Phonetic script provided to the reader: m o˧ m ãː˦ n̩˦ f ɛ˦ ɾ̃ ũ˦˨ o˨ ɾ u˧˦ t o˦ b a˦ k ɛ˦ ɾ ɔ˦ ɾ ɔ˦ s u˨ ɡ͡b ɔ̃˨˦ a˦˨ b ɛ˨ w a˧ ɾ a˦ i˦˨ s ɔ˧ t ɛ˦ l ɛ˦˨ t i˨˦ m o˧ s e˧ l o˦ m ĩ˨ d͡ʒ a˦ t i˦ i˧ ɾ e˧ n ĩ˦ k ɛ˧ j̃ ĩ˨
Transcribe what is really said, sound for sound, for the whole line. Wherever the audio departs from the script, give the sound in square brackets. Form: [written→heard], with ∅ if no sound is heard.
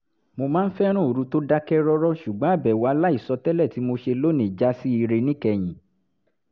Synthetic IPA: m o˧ m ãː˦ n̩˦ f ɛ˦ ɾ̃ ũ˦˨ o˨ ɾ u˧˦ t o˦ [b→d] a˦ k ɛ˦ ɾ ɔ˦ ɾ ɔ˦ [s→ʃ] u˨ ɡ͡b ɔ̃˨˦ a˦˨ b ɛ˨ w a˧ [ɾ→l] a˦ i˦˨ s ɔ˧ t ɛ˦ l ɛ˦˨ t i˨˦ m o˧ [s→ʃ] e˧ l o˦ [m→n] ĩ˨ d͡ʒ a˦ [t→s] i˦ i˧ ɾ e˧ n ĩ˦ k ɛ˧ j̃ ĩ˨